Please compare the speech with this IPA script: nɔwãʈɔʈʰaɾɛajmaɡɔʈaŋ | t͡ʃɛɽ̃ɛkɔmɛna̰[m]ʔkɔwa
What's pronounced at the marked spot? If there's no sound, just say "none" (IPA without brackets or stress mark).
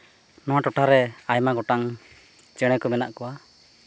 none